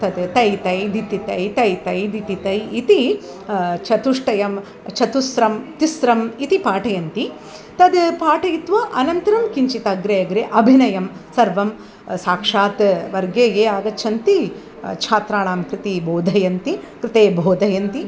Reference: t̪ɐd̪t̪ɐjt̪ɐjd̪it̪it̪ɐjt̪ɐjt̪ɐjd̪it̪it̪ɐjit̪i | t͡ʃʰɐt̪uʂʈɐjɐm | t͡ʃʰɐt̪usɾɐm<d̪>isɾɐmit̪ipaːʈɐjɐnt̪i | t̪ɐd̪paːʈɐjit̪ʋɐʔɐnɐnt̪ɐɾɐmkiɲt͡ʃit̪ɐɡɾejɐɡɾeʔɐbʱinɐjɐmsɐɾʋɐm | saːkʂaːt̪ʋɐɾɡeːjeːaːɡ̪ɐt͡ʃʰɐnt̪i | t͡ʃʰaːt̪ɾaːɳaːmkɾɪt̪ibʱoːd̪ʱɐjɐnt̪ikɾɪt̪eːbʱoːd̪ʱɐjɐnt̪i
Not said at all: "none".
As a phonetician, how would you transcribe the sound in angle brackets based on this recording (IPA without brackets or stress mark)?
t̪